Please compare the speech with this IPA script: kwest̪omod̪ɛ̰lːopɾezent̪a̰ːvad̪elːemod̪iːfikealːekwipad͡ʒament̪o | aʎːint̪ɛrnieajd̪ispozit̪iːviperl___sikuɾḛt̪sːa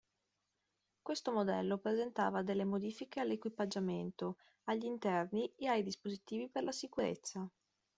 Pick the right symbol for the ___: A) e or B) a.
B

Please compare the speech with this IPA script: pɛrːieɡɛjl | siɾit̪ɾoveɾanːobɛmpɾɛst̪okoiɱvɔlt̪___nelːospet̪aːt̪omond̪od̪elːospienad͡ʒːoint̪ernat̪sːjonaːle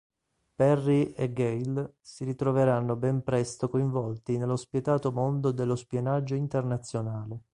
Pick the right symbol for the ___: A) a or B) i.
B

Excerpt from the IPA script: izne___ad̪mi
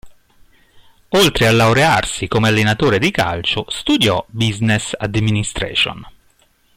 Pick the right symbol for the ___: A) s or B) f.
A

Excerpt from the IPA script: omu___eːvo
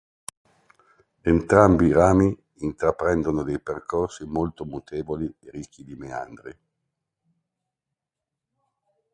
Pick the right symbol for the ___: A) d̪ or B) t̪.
B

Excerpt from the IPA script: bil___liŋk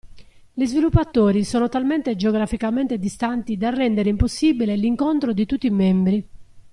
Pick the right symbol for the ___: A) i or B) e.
B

